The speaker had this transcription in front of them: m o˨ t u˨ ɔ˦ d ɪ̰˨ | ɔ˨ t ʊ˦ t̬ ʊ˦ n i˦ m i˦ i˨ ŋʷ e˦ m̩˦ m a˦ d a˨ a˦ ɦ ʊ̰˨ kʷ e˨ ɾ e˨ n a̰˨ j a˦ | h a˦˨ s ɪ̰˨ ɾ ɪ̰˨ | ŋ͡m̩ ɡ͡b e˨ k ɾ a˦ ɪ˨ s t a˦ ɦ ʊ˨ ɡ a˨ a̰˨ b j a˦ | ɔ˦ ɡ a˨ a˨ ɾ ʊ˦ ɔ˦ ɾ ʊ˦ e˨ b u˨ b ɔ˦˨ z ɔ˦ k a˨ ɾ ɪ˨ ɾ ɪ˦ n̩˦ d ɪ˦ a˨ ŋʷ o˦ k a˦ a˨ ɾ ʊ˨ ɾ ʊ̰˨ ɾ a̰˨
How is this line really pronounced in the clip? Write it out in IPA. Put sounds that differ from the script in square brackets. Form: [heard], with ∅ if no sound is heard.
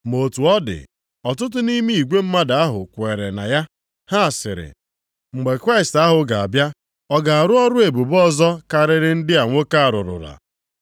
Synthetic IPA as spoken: m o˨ t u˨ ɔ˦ d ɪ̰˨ | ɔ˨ t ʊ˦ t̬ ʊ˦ n i˦ m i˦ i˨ [ɡʷ] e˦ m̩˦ m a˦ d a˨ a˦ ɦ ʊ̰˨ kʷ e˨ ɾ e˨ n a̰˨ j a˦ | h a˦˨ s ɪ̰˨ ɾ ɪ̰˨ | ŋ͡m̩ ɡ͡b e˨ k ɾ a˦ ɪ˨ s t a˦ ɦ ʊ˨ ɡ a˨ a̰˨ b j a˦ | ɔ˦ ɡ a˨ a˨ ɾ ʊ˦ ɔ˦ ɾ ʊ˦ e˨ b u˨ b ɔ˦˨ z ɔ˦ k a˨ ɾ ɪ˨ ɾ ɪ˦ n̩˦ d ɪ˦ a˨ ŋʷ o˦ k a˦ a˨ ɾ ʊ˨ ɾ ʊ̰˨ ɾ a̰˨